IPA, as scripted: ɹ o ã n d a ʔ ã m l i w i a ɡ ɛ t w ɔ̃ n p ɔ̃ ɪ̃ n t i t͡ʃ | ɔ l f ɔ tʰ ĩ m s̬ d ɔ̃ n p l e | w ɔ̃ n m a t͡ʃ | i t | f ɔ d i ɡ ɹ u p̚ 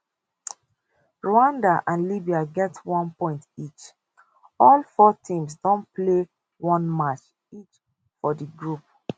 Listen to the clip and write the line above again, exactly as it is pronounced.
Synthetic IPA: ɹ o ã n d a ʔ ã n l i b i a ɡ ɛ t w ɔ̃ n p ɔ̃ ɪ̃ n t i t͡ʃ | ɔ l f ɔ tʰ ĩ m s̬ d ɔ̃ n p l e | w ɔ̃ n m a t͡ʃ | i t͡ʃ | f ɔ d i ɡ ɹ u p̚